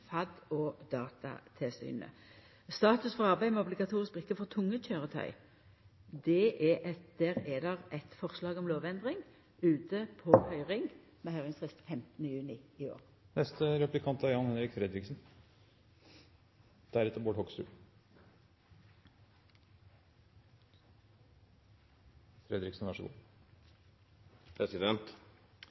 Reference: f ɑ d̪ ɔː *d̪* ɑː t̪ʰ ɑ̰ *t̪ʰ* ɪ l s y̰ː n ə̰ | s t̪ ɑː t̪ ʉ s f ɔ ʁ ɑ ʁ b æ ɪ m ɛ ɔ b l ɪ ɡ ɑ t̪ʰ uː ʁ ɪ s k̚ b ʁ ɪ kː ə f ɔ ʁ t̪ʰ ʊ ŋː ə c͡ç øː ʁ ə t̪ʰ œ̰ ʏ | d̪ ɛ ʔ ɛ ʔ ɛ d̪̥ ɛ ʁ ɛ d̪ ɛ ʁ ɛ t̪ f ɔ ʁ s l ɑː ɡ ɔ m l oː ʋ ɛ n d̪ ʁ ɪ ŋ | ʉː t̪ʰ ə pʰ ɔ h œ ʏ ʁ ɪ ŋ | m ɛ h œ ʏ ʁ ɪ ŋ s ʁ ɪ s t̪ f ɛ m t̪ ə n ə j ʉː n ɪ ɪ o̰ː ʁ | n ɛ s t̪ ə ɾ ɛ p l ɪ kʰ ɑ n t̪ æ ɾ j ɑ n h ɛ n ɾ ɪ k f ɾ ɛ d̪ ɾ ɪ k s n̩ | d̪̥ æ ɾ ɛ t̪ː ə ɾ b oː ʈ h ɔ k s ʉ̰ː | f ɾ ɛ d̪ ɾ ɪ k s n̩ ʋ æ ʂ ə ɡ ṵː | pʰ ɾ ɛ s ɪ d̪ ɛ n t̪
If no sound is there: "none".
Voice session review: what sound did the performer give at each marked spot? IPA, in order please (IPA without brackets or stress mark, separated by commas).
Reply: d̪, t̪ʰ